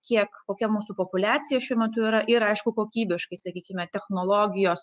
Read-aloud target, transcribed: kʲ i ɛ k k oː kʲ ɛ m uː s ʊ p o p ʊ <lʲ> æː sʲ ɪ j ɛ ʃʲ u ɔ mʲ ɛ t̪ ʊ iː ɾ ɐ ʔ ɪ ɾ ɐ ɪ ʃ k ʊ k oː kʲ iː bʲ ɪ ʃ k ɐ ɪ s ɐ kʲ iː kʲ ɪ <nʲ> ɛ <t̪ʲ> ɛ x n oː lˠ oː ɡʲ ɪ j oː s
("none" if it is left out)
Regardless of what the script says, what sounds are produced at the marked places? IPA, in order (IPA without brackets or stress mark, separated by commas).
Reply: lʲ, mʲ, t̪ʲ